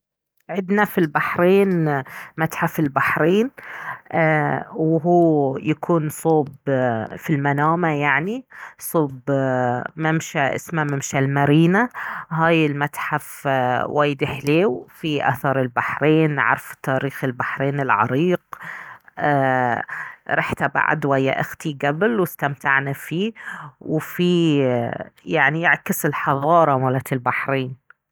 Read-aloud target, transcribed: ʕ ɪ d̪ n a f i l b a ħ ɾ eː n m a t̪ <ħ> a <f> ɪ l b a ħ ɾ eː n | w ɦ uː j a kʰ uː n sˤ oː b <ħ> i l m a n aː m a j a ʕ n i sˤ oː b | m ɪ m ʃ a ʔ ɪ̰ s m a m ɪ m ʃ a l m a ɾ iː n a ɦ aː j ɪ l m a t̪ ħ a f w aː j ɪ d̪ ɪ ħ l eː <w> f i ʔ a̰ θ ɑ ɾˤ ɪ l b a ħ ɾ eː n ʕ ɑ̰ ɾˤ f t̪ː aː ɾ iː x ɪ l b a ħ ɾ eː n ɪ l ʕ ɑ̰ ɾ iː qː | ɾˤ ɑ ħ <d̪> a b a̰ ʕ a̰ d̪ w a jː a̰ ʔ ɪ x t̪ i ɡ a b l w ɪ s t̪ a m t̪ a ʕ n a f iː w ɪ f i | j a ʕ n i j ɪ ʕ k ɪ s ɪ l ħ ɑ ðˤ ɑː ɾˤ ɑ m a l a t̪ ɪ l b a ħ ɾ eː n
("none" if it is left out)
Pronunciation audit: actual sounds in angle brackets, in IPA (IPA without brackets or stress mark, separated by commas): ħ, f, f, w, t̪